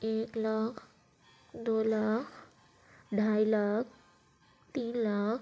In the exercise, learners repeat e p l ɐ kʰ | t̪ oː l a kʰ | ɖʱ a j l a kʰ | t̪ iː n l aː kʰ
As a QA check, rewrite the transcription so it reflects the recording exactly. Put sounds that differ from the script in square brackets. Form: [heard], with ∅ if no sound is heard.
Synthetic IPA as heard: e [k] l [a] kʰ | [d̪] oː l a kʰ | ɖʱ a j l a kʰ | t̪ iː n l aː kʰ